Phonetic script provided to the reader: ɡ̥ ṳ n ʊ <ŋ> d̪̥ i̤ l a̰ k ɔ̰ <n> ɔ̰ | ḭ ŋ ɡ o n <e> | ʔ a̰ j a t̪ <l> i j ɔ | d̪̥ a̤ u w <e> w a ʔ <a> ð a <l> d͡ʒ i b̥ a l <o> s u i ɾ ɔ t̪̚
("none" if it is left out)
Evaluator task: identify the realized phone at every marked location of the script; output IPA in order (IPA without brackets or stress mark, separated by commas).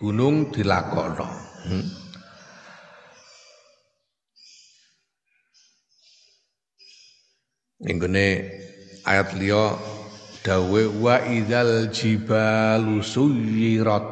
ŋ, n, e, l, e, i, l, u